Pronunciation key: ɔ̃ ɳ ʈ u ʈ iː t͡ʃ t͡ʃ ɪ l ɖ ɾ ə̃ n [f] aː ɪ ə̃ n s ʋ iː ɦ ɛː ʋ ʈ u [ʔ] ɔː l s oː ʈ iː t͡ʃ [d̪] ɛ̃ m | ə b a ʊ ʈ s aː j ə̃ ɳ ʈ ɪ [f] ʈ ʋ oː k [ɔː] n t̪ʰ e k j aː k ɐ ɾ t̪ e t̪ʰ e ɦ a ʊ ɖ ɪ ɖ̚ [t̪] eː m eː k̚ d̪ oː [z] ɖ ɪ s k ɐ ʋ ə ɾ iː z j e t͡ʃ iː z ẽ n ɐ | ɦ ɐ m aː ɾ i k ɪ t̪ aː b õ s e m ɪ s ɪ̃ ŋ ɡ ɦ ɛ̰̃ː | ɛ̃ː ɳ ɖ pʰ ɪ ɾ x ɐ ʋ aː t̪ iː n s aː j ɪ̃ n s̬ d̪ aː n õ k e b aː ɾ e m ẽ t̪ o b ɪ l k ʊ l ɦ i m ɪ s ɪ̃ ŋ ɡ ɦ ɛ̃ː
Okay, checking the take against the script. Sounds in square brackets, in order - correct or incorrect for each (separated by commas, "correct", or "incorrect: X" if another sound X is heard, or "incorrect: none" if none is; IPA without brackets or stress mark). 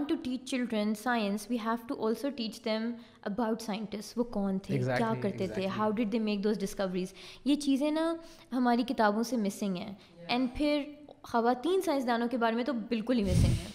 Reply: incorrect: s, correct, correct, incorrect: s, correct, incorrect: d̪, correct